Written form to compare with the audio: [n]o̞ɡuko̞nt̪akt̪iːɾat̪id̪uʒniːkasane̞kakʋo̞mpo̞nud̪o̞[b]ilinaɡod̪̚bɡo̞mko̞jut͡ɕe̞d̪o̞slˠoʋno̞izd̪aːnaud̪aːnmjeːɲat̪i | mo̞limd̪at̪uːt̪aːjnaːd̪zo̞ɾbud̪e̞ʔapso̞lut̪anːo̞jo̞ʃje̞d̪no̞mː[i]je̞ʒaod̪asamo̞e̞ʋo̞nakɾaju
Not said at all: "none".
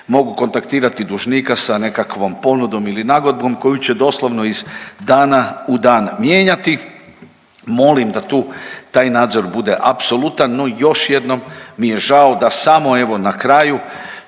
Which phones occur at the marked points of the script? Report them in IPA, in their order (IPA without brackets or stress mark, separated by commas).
m, m, i